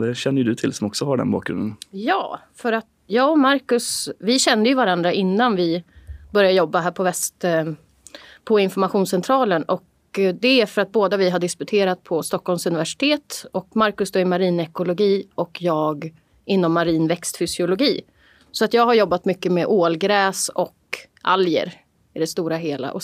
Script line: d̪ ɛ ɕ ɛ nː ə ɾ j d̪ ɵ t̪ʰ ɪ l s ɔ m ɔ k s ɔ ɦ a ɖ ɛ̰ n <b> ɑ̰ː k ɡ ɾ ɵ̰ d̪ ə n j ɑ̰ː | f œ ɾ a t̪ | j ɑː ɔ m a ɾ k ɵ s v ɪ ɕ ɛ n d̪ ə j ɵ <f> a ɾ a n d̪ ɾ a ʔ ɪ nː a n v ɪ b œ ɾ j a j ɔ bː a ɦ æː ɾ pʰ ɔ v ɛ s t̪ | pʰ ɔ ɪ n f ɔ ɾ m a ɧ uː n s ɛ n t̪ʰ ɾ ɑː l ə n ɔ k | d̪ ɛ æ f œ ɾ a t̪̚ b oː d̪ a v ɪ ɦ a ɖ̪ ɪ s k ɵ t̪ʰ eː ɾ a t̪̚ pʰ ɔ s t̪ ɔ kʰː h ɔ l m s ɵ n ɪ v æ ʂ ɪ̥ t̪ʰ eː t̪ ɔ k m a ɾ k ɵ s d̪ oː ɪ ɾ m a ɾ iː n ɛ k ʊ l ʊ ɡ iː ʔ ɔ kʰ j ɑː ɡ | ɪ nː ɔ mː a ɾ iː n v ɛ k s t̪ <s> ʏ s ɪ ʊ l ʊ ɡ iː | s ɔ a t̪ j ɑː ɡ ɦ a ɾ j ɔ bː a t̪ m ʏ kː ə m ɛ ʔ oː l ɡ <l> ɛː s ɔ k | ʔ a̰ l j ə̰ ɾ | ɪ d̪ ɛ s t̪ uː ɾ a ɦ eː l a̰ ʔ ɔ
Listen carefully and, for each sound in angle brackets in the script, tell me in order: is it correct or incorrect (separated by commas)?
correct, incorrect, incorrect, incorrect